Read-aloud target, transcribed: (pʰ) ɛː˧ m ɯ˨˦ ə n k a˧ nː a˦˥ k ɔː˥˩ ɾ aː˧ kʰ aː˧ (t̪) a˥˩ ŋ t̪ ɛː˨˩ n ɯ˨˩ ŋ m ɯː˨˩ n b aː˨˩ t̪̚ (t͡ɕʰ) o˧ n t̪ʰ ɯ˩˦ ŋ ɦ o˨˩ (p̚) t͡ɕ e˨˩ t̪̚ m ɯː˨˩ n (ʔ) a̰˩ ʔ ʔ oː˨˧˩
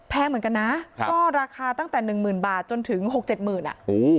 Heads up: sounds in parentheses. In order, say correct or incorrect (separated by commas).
correct, correct, incorrect, incorrect, correct